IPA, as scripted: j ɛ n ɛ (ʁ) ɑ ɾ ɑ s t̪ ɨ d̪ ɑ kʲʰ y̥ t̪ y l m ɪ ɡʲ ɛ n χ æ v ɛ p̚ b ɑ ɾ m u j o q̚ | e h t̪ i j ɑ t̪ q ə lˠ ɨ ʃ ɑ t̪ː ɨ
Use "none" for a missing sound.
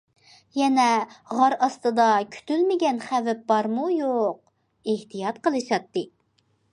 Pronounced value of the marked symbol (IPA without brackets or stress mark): ʁ